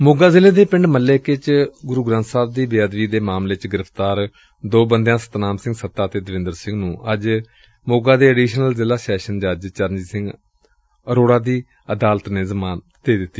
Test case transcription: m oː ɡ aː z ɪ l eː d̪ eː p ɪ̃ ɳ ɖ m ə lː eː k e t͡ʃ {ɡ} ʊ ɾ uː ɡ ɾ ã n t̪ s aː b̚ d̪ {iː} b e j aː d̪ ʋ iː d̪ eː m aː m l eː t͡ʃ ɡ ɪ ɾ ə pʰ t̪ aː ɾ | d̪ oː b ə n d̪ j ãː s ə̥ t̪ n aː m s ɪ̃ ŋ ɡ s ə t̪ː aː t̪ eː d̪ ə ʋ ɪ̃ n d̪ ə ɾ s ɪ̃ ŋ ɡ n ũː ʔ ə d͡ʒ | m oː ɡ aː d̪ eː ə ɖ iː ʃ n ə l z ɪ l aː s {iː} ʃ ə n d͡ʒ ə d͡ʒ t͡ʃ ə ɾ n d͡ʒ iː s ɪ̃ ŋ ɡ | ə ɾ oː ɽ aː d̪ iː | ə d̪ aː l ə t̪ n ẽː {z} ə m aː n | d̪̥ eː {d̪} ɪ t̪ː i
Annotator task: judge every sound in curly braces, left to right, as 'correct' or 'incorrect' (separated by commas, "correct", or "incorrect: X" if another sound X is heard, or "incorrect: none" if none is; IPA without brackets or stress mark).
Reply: correct, correct, incorrect: ɛː, correct, correct